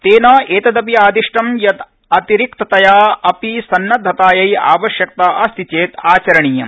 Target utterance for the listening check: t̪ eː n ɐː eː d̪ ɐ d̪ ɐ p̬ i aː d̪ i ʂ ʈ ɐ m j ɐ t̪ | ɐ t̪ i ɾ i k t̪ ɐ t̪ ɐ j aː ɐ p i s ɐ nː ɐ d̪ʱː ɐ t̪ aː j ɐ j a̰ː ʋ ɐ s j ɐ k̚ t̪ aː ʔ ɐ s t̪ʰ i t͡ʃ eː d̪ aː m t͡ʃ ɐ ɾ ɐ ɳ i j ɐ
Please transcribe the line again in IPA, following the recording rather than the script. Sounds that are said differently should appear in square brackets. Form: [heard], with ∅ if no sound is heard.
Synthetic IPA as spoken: t̪ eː n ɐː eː [t̪] ɐ d̪ ɐ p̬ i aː d̪ i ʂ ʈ ɐ m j ɐ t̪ | ɐ t̪ i ɾ i k t̪ ɐ t̪ ɐ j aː ɐ p i s ɐ nː ɐ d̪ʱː ɐ t̪ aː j ɐ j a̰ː ʋ ɐ [ʃ] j ɐ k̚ t̪ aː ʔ ɐ s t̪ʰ i t͡ʃ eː [t̪] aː [∅] t͡ʃ ɐ ɾ ɐ ɳ i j ɐ

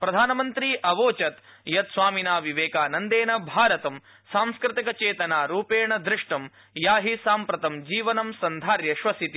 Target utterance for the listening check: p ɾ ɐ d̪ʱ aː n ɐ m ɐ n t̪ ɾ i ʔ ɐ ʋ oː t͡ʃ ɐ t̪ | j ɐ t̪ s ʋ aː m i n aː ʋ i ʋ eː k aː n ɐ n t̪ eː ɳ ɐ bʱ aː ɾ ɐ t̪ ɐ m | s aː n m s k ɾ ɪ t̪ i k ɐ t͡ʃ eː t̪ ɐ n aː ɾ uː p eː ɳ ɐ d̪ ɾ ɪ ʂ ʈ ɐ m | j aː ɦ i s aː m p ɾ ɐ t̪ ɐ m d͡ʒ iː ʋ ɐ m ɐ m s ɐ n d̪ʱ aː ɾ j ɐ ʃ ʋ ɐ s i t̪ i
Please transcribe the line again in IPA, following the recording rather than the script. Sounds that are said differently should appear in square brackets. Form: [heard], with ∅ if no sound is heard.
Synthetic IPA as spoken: p ɾ ɐ d̪ʱ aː n ɐ m ɐ n t̪ ɾ i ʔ ɐ ʋ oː t͡ʃ ɐ t̪ | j ɐ t̪ s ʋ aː m i n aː ʋ i ʋ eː k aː n ɐ n [d̪] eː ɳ ɐ bʱ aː ɾ ɐ t̪ ɐ m | s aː [∅] m s k ɾ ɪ t̪ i k ɐ t͡ʃ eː t̪ ɐ n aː ɾ uː p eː ɳ ɐ d̪ ɾ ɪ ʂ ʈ ɐ m | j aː ɦ i s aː m p ɾ ɐ t̪ ɐ m d͡ʒ iː ʋ ɐ [n] ɐ m s ɐ n d̪ʱ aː ɾ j ɐ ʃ ʋ ɐ s i t̪ i

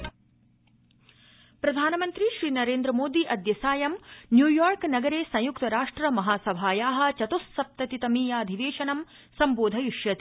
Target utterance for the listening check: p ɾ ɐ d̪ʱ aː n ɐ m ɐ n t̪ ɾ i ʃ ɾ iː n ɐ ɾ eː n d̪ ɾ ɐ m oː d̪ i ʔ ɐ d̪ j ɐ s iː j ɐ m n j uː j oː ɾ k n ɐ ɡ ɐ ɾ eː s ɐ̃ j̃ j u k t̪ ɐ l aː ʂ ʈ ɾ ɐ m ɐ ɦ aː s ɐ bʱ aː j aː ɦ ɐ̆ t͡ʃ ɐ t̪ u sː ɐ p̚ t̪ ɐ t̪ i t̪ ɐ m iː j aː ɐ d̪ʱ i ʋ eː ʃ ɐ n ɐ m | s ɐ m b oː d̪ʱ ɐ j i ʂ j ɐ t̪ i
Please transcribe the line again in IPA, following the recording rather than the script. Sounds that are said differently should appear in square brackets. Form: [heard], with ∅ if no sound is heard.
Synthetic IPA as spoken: p ɾ ɐ d̪ʱ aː n ɐ m ɐ n t̪ ɾ i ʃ ɾ iː n ɐ ɾ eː n d̪ ɾ ɐ m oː d̪ i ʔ ɐ d̪ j ɐ s [aː] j ɐ m n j uː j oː ɾ k n ɐ ɡ ɐ ɾ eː s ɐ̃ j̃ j u k t̪ ɐ [ɾ] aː ʂ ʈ ɾ ɐ m ɐ ɦ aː s ɐ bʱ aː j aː ɦ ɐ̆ t͡ʃ ɐ t̪ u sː ɐ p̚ t̪ ɐ t̪ i t̪ ɐ m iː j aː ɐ d̪ʱ i ʋ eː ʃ ɐ n ɐ m | s ɐ m b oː d̪ʱ ɐ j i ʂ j ɐ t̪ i

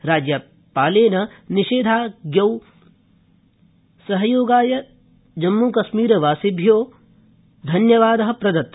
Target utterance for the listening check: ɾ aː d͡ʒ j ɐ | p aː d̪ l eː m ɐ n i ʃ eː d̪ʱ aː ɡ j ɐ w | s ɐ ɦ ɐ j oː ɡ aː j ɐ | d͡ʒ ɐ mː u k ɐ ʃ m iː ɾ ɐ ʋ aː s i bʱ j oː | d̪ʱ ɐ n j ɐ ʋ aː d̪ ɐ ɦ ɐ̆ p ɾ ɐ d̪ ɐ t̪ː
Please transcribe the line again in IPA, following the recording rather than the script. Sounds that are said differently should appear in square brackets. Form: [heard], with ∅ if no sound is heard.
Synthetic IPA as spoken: ɾ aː d͡ʒ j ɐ | p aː [∅] l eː [n] ɐ n i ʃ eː d̪ʱ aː ɡ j ɐ w | s ɐ ɦ ɐ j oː ɡ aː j ɐ | d͡ʒ ɐ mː u k ɐ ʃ m iː ɾ ɐ ʋ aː s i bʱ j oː | d̪ʱ ɐ n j ɐ ʋ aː d̪ ɐ ɦ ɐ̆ p ɾ ɐ d̪ ɐ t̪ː

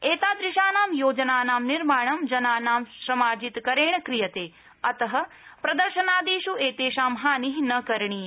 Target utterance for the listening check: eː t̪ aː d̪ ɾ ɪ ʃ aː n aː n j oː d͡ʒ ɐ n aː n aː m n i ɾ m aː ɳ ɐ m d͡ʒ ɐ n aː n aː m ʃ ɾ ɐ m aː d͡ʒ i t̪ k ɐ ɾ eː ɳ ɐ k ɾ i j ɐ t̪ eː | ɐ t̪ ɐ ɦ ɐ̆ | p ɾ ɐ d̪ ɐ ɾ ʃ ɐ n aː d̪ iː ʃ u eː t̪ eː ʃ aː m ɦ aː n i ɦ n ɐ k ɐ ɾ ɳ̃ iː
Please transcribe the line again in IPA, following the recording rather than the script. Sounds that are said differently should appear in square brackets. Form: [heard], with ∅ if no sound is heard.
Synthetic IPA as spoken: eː t̪ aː d̪ ɾ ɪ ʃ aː n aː [m] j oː d͡ʒ ɐ n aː n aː m n i ɾ m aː ɳ ɐ m d͡ʒ ɐ n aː n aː m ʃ ɾ ɐ m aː d͡ʒ i t̪ k ɐ ɾ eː ɳ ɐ k ɾ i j ɐ t̪ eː | ɐ t̪ ɐ ɦ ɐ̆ | p ɾ ɐ d̪ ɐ ɾ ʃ ɐ n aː d̪ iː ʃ u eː t̪ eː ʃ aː m ɦ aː n i ɦ n ɐ k ɐ ɾ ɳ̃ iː

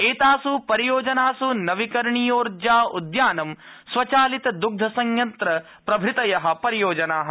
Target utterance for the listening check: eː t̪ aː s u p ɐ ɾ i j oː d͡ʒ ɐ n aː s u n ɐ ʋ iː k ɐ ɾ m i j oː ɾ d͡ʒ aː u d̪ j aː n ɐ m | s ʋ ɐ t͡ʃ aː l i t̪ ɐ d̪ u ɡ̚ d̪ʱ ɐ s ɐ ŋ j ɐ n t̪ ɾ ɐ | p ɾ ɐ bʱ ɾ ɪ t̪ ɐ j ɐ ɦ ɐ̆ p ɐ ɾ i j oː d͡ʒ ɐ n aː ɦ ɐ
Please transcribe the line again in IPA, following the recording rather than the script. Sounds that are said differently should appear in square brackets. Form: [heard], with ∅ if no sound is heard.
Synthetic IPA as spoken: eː t̪ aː s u p ɐ ɾ i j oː d͡ʒ ɐ n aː s u n ɐ ʋ [i] k ɐ ɾ [ɳ] i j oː ɾ d͡ʒ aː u d̪ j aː n ɐ m | s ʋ ɐ t͡ʃ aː l i t̪ ɐ d̪ u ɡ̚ d̪ʱ ɐ s ɐ ŋ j ɐ n t̪ ɾ ɐ | p ɾ ɐ bʱ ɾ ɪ t̪ ɐ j ɐ ɦ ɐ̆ p ɐ ɾ i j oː d͡ʒ ɐ n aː ɦ ɐ

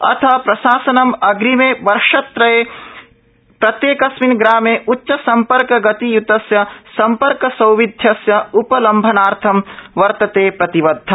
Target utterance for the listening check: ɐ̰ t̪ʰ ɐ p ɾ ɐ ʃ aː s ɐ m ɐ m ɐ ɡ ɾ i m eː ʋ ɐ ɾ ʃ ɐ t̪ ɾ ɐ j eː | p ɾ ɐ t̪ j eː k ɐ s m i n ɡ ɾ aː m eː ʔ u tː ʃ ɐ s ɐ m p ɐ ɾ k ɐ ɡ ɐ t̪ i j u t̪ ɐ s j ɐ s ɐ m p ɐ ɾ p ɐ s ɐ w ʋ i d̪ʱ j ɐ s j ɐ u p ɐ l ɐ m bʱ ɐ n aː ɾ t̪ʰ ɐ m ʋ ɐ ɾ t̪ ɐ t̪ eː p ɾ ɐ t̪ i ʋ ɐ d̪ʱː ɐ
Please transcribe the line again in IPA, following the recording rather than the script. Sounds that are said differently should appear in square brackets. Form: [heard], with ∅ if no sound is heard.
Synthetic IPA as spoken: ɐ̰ t̪ʰ ɐ p ɾ ɐ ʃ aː s ɐ [n] ɐ m ɐ ɡ ɾ i m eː ʋ ɐ ɾ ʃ ɐ t̪ ɾ ɐ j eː | p ɾ ɐ t̪ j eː k ɐ s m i n ɡ ɾ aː m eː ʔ u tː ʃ ɐ s ɐ m p ɐ ɾ k ɐ ɡ ɐ t̪ i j u t̪ ɐ s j ɐ s ɐ m p ɐ ɾ [k] ɐ s ɐ w ʋ i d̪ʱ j ɐ s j ɐ u p ɐ l ɐ m bʱ ɐ n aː ɾ t̪ʰ ɐ m ʋ ɐ ɾ t̪ ɐ t̪ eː p ɾ ɐ t̪ i ʋ ɐ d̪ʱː ɐ

